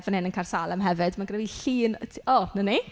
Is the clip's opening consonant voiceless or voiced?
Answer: voiced